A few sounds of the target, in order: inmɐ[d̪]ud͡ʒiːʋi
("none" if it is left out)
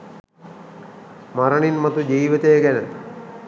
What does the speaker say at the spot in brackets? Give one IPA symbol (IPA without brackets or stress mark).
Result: t̪